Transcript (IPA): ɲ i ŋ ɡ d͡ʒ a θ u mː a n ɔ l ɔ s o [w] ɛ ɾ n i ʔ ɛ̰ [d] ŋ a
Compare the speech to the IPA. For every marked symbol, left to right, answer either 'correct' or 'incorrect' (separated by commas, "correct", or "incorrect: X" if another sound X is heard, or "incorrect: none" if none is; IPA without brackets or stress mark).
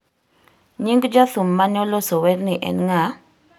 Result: correct, incorrect: n